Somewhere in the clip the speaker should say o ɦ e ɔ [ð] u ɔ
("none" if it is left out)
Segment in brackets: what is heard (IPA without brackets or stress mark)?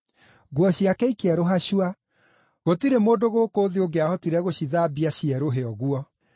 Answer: ɣ